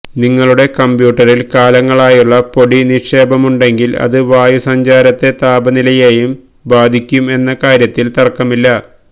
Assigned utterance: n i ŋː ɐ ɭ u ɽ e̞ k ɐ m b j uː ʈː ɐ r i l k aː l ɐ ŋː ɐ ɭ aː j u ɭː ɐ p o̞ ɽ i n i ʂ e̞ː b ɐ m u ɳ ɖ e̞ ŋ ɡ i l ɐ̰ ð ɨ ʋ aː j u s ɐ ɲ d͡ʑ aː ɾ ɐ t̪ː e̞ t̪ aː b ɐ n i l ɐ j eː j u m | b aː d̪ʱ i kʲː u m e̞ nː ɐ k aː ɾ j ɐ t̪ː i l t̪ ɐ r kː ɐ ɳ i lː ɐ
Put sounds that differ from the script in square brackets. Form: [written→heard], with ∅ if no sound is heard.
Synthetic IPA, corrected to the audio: n i ŋː ɐ ɭ u ɽ e̞ k ɐ m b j uː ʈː ɐ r i l k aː l ɐ ŋː ɐ ɭ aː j u ɭː ɐ p o̞ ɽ i n i ʂ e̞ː b ɐ m u ɳ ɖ e̞ ŋ ɡ i l ɐ̰ ð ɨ ʋ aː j u s ɐ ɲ d͡ʑ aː ɾ ɐ t̪ː e̞ t̪ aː b ɐ n i l ɐ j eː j u m | b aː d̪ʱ i kʲː u m e̞ nː ɐ k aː ɾ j ɐ t̪ː i l t̪ ɐ r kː ɐ [ɳ→m] i lː ɐ